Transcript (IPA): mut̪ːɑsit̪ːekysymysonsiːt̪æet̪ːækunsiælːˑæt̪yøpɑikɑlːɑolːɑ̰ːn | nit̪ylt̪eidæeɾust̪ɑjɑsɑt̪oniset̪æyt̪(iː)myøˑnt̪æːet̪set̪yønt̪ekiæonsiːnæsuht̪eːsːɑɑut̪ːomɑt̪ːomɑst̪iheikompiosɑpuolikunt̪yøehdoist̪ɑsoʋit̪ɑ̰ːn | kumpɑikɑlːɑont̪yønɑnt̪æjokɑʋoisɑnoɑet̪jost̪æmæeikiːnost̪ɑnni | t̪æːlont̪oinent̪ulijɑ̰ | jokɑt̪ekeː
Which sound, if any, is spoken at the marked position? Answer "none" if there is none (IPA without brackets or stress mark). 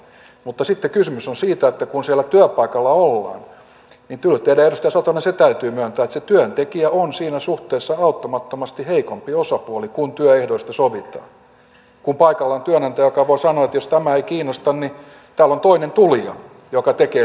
yː